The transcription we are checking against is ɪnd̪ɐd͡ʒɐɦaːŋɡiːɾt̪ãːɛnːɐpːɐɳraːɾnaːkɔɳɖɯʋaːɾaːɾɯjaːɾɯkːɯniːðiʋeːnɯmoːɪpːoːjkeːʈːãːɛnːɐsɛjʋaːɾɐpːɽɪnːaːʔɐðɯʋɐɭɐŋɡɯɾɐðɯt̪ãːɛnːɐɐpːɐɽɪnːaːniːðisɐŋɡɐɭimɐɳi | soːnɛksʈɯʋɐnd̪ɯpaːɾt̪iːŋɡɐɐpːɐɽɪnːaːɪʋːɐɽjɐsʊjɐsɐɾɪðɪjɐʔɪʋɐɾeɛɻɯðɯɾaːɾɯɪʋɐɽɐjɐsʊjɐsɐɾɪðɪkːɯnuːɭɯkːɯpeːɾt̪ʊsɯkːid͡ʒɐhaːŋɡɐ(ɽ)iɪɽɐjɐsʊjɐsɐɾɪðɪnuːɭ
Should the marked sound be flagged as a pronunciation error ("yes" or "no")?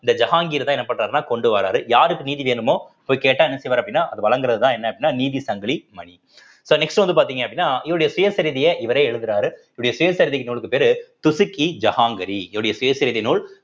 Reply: yes